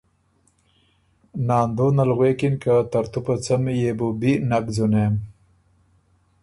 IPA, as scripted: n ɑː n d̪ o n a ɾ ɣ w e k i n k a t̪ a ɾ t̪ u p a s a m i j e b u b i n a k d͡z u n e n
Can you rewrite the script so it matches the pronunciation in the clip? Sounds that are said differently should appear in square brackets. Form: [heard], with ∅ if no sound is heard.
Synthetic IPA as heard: n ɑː n d̪ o n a [l] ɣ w e k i n k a t̪ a ɾ t̪ u p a [t͡s] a m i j e b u b i n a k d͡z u n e [m]